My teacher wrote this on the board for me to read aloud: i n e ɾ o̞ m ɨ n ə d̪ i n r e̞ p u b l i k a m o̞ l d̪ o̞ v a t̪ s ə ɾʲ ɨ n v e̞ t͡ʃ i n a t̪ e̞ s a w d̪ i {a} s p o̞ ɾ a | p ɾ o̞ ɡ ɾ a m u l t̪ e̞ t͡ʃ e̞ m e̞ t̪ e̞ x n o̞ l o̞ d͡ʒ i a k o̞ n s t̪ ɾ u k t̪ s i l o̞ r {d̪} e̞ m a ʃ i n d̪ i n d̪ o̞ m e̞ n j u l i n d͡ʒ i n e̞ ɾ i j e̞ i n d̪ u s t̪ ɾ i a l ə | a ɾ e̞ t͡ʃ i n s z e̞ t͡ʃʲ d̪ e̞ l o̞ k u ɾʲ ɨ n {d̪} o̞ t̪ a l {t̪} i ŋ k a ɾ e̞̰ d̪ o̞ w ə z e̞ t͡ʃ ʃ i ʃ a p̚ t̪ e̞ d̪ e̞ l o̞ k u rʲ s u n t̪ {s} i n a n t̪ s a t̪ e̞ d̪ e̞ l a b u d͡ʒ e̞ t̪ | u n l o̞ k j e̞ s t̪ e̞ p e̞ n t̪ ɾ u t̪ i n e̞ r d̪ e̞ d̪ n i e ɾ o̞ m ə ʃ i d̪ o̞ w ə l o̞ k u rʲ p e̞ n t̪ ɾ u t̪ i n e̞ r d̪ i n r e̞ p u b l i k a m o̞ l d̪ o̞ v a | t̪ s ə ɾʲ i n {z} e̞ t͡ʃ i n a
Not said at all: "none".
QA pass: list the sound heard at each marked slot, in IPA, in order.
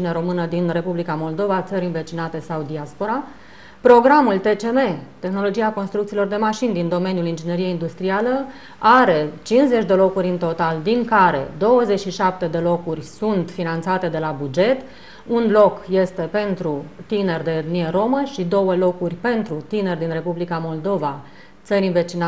a, d̪, t̪, d̪, f, v

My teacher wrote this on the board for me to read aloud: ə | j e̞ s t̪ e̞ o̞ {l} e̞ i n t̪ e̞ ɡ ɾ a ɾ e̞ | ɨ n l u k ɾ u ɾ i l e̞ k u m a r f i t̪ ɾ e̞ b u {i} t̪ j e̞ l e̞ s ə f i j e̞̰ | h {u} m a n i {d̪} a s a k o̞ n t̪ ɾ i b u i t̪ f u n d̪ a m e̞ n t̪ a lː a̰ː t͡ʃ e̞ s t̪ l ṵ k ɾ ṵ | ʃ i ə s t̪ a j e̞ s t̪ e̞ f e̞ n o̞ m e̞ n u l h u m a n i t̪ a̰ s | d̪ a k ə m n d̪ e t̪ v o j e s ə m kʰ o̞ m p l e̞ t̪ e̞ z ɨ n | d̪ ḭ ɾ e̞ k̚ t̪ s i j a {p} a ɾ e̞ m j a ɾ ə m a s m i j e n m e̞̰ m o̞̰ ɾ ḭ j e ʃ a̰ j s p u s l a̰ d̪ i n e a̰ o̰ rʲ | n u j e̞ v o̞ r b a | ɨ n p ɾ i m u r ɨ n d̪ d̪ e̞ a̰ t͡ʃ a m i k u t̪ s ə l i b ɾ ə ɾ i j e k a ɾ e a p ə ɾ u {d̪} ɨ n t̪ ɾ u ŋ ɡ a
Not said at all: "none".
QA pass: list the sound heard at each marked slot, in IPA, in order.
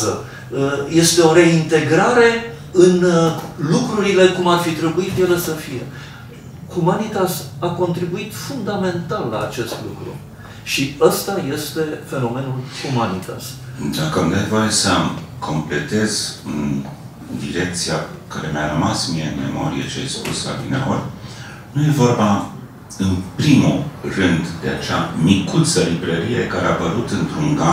ɾ, i, u, t̪, k, t̪

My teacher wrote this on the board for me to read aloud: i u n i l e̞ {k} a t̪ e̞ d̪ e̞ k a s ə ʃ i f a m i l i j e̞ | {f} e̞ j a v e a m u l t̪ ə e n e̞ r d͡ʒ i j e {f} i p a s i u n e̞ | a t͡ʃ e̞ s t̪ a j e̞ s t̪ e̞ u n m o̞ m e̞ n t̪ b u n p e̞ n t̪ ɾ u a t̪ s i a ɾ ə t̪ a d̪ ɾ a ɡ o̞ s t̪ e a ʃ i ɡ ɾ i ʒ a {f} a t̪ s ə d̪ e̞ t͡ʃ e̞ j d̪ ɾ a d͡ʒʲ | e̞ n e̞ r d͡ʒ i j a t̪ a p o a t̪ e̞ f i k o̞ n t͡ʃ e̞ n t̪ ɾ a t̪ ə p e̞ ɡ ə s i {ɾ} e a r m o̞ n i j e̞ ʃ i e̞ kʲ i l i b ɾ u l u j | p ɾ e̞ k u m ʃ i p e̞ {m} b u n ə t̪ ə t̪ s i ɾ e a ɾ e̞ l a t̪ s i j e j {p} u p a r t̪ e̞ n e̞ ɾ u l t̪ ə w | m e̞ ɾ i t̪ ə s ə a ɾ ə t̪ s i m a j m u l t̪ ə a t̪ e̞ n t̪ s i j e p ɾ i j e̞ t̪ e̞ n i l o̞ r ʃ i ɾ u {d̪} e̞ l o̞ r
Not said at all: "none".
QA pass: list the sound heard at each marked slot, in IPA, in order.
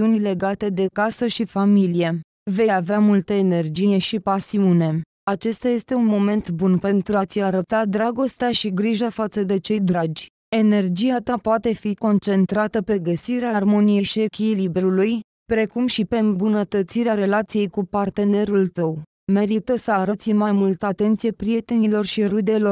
ɡ, v, ʃ, f, ɾ, m, k, d̪

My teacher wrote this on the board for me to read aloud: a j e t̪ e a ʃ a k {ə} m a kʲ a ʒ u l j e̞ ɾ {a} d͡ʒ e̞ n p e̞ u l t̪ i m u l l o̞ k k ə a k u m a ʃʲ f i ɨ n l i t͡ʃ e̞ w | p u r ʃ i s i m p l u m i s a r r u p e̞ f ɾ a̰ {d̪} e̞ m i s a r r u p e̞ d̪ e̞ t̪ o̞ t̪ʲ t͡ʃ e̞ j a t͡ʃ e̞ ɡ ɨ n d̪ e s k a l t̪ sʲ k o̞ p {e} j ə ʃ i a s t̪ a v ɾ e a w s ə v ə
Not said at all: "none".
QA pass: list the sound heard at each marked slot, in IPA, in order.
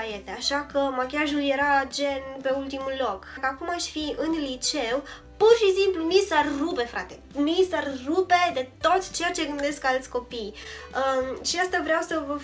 ə, a, t̪, i

